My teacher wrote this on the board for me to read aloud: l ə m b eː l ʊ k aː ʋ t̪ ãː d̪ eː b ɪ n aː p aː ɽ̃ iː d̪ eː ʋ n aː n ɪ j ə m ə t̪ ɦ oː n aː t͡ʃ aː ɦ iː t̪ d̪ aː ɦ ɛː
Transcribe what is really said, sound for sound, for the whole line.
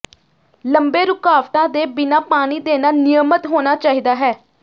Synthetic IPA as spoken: l ə m b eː ɾ ʊ k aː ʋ t̪ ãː d̪ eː b ɪ n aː p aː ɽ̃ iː d̪ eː n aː n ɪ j ə m ə t̪ ɦ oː n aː t͡ʃ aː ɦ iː d̪ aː ɦ ɛː